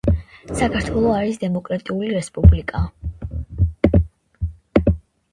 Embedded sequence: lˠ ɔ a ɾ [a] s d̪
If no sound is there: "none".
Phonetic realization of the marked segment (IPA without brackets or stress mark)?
i